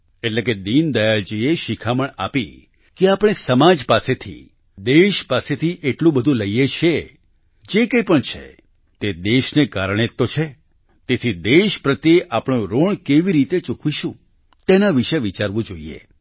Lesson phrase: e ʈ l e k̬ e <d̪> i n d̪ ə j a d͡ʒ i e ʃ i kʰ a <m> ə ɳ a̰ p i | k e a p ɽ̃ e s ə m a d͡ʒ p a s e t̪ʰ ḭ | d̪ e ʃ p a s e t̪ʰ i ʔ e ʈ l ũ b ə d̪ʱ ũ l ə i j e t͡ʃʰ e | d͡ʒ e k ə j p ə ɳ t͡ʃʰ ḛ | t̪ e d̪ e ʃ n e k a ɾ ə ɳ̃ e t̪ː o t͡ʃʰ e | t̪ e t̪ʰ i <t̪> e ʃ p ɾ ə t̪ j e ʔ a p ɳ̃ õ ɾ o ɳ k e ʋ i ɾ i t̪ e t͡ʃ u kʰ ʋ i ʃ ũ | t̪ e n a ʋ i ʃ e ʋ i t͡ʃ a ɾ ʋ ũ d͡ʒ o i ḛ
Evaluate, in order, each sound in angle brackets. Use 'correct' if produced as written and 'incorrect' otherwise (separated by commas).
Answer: correct, correct, incorrect